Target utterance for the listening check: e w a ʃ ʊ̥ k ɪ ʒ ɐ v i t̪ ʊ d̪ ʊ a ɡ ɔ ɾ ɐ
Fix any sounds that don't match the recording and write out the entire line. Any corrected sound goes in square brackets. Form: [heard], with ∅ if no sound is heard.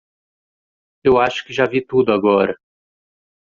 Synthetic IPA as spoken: e w a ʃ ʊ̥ k ɪ ʒ [a] v i t̪ [u] d̪ ʊ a ɡ ɔ ɾ ɐ